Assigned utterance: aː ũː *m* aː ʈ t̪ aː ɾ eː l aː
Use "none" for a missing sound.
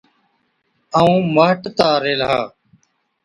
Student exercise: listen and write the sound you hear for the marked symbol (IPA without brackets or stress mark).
m